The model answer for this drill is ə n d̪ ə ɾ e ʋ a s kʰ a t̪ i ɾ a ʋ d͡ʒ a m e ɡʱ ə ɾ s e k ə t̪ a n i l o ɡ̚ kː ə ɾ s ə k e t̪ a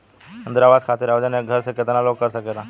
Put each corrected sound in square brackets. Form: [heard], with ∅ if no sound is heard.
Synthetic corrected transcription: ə n d̪ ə ɾ [a] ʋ a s kʰ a t̪ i ɾ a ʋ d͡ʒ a [n] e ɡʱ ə ɾ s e k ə t̪ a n [a] l o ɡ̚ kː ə ɾ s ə k e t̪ a